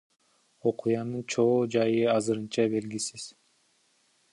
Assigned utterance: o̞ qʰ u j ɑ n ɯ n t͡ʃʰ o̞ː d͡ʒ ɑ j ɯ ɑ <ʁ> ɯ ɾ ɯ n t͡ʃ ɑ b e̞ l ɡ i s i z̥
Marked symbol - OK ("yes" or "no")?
no